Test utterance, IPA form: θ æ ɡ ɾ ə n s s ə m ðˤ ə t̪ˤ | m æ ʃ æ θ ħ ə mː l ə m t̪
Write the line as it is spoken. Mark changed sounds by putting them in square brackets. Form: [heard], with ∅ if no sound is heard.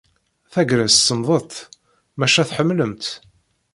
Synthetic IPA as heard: θ æ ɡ ɾ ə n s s ə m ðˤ ə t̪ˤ | m æ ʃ æ θ ħ ə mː l ə m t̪